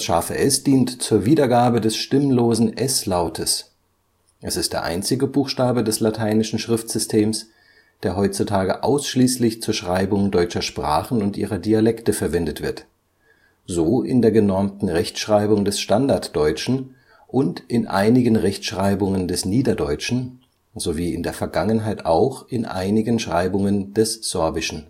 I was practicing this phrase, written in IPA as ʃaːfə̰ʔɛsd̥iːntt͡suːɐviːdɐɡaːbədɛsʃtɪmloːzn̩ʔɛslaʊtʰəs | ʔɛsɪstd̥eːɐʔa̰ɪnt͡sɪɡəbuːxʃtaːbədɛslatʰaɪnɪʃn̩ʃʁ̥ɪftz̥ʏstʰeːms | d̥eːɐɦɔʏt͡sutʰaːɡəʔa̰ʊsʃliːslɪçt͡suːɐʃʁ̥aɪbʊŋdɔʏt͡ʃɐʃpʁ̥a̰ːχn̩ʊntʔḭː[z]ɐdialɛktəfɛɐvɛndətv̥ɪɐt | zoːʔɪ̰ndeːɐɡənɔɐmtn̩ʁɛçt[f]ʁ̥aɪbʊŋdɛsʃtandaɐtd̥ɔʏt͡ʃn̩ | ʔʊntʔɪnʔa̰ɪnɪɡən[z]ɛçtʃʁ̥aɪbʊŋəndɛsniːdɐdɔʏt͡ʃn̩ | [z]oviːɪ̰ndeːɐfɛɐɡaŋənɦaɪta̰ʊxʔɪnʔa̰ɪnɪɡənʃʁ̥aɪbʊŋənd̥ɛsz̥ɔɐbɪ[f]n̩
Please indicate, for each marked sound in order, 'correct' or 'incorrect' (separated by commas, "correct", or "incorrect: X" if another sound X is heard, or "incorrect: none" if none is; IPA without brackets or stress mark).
incorrect: ʁ, incorrect: ʃ, incorrect: ʁ, correct, incorrect: ʃ